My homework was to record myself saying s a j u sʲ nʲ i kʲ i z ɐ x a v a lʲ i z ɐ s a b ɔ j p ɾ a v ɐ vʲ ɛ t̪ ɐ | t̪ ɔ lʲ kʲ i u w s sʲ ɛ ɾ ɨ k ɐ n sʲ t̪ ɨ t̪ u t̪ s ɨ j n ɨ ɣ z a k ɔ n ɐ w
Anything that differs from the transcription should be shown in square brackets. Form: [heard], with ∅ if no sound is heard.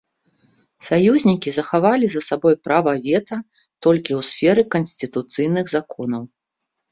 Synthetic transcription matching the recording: s a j u [zʲ] nʲ i kʲ i z ɐ x a v a lʲ i z ɐ s a b ɔ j p ɾ a v ɐ vʲ ɛ t̪ ɐ | t̪ ɔ lʲ kʲ i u w s [fʲ] ɛ ɾ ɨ k ɐ n sʲ t̪ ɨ t̪ u t̪ s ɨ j n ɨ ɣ z a k ɔ n ɐ w